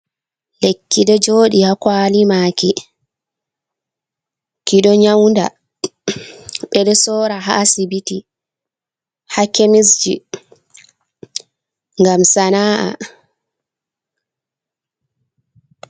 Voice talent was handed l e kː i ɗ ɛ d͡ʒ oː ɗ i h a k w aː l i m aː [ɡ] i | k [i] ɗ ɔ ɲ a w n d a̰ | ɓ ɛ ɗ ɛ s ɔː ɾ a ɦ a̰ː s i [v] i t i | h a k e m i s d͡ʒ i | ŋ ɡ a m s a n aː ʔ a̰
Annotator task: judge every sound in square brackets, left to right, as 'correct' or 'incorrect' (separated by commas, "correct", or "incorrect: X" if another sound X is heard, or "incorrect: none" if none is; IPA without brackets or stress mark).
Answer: incorrect: k, correct, incorrect: b